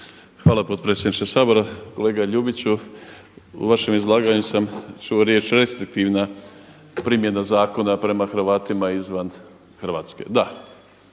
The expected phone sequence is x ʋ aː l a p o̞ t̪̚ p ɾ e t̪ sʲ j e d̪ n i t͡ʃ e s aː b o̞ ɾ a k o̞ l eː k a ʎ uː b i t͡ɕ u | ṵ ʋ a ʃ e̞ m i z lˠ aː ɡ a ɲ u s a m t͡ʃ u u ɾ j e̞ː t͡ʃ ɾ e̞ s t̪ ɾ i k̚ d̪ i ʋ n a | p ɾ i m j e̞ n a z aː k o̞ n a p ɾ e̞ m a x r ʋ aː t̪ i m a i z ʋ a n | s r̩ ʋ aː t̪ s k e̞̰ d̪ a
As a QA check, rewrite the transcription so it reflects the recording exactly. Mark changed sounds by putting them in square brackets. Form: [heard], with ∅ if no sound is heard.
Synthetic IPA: x ʋ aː l a p o̞ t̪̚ p ɾ e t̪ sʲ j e d̪ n i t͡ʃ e s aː b o̞ ɾ a k o̞ l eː [ɡ] a ʎ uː b i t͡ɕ u | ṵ ʋ a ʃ e̞ m i z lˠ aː ɡ a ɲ u s a m t͡ʃ u [o] ɾ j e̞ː t͡ʃ ɾ e̞ s t̪ ɾ i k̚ [t̪] i ʋ n a | p ɾ i m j e̞ n a z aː k o̞ n a p ɾ e̞ m a x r ʋ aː t̪ i m a i z ʋ a n | [x] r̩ ʋ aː t̪ s k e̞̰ d̪ a